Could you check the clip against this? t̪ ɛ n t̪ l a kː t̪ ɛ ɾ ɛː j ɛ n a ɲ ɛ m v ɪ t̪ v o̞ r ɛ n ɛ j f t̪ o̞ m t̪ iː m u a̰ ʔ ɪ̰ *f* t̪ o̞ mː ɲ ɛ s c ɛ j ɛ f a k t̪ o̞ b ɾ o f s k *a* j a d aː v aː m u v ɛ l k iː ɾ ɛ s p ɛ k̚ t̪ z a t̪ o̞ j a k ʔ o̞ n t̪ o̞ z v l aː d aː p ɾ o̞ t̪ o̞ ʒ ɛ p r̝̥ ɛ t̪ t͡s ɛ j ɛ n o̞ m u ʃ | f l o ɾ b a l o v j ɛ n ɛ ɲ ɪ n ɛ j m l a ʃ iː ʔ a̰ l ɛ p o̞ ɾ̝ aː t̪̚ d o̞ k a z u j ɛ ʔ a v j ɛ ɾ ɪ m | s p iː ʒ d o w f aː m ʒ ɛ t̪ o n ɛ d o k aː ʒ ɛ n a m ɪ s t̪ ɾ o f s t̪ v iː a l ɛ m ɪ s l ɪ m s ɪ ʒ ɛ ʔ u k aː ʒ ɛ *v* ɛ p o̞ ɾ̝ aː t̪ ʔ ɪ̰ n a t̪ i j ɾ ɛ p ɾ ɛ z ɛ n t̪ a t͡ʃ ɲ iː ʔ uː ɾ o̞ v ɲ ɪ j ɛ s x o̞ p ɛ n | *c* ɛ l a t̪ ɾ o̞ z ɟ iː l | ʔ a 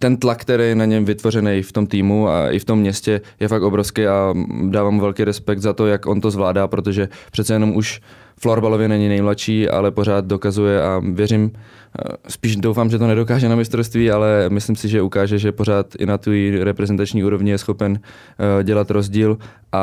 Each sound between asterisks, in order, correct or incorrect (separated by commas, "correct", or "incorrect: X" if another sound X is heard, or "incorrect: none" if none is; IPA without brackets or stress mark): correct, incorrect: ɛ, incorrect: ʒ, incorrect: ɟ